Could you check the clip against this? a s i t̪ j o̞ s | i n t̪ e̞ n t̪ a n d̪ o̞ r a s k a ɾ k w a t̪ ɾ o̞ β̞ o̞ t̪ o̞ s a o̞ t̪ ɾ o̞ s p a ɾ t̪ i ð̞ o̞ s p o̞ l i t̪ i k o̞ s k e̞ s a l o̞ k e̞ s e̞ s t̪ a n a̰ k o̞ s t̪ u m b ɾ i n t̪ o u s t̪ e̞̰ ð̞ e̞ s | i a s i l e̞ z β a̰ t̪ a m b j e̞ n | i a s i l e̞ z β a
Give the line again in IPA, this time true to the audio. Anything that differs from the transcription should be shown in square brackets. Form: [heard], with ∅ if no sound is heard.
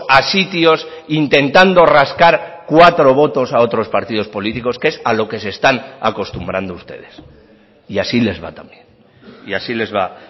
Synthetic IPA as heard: a s i t̪ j o̞ s | i n t̪ e̞ n t̪ a n d̪ o̞ r a s k a ɾ k w a t̪ ɾ o̞ β̞ o̞ t̪ o̞ s a o̞ t̪ ɾ o̞ s p a ɾ t̪ i ð̞ o̞ s p o̞ l i t̪ i k o̞ s k e̞ s a l o̞ k e̞ s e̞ s t̪ a n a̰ k o̞ s t̪ u m b ɾ [a] n [d̪] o u s t̪ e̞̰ ð̞ e̞ s | i a s i l e̞ z β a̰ t̪ a m b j e̞ n | i a s i l e̞ z β a